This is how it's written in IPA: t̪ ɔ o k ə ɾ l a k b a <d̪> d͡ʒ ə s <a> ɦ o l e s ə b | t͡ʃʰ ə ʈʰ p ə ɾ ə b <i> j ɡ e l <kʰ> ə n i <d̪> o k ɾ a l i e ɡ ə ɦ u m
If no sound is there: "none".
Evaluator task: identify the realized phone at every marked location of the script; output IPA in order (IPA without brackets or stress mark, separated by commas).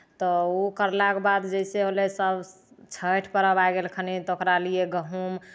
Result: d̪, e, a, kʰ, t̪